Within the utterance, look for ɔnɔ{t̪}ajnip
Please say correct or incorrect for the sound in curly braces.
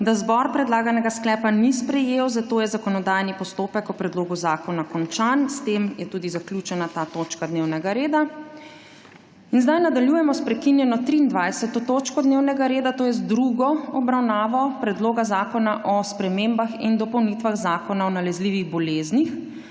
incorrect